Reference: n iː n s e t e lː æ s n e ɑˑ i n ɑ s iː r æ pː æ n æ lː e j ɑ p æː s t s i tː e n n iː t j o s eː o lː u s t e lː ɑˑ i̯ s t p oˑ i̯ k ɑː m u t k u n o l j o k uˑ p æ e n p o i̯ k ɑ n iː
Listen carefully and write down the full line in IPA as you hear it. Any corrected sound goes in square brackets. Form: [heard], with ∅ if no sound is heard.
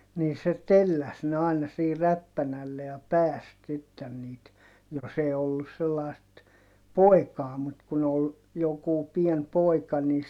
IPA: n iː [∅] s e t e lː æ s n e ɑˑ i n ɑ s iː r æ pː æ n æ lː e j ɑ p æː s t s i tː e n n iː t j o s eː o lː u s [s] e lː ɑˑ i̯ s t p oˑ i̯ k ɑː m u t k u n o l j o k uˑ p [i] e n p o i̯ k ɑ n iː